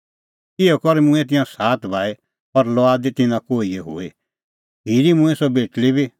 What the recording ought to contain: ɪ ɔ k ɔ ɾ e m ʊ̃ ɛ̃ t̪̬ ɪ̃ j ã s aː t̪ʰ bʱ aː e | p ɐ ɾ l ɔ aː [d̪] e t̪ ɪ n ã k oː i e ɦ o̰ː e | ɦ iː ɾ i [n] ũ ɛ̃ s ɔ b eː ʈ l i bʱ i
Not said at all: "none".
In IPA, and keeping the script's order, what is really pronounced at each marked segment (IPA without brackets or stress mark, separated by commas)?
d̪, m